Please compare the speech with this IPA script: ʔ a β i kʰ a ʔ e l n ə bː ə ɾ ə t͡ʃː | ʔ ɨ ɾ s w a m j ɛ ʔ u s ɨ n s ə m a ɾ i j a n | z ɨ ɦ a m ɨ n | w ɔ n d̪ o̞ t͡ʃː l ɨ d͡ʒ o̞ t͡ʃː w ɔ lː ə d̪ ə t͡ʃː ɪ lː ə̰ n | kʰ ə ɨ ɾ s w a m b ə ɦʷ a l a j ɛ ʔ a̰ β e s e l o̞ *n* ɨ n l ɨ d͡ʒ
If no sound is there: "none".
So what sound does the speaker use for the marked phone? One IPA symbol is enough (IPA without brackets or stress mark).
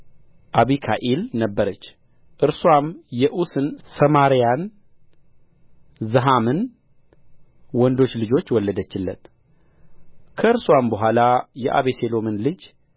m